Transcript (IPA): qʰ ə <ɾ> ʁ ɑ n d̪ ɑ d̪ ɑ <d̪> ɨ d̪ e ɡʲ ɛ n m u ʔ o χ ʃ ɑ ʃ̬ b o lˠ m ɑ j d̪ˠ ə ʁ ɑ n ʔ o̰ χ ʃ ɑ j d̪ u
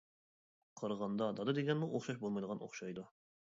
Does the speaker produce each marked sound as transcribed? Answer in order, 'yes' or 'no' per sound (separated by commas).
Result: yes, yes